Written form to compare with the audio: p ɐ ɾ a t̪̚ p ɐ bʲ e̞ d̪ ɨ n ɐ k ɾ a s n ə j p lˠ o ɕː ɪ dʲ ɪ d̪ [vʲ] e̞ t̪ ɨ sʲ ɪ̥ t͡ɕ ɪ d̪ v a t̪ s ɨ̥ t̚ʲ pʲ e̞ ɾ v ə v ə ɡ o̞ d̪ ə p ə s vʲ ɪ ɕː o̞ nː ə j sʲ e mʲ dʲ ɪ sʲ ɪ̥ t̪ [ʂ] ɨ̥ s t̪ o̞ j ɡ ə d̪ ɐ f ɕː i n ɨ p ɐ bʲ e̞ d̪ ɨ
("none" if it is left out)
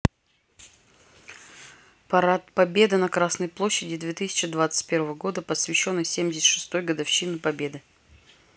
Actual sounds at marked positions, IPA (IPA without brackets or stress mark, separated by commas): vʲ, ʂ